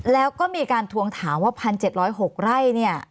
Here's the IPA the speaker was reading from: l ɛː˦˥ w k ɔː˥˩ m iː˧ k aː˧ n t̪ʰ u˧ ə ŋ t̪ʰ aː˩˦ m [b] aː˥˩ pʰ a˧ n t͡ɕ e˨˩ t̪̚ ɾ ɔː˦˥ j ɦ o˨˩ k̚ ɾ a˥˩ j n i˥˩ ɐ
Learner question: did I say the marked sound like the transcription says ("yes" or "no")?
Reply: no